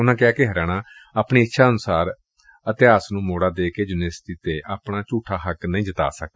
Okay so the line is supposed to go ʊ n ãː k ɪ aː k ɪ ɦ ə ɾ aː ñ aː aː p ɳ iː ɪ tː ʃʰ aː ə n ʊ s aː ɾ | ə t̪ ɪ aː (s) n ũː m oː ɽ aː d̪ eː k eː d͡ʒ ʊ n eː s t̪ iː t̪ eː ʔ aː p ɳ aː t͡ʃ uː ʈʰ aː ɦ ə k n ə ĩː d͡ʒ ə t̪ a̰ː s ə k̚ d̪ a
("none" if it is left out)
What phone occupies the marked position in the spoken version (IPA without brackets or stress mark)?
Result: s